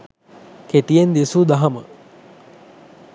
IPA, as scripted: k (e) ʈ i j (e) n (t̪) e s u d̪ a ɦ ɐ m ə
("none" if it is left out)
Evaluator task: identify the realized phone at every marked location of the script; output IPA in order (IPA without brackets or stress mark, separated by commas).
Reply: e, e, d̪